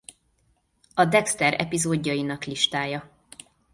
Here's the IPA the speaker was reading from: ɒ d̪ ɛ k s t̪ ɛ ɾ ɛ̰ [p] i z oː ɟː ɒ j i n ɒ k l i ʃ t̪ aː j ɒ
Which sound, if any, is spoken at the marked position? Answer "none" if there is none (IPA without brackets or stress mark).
p